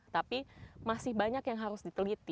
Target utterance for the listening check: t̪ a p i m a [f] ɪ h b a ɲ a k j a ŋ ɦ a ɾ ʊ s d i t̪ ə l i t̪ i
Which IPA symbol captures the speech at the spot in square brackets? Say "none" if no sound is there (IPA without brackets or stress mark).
s